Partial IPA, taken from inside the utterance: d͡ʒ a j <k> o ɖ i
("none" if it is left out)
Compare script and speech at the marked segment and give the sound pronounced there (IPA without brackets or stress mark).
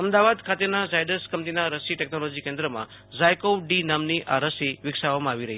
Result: k